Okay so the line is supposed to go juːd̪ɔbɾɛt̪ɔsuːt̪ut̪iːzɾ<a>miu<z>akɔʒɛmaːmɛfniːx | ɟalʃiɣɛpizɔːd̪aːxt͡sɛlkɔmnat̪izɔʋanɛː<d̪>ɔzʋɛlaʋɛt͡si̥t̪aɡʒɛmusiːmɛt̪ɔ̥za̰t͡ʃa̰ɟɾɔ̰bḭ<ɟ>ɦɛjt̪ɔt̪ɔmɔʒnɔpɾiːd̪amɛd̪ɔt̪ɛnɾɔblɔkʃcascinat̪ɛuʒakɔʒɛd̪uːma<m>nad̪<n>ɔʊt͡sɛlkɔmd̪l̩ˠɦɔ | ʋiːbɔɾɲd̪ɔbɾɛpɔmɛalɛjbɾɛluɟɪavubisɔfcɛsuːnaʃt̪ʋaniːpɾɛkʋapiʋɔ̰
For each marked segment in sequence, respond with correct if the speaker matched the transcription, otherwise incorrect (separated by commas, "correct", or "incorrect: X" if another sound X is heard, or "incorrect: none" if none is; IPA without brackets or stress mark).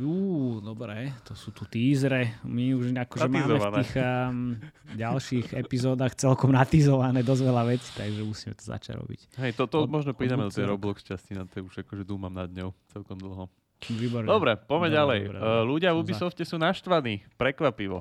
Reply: incorrect: ɛ, incorrect: ʒ, correct, incorrect: c, correct, incorrect: ɲ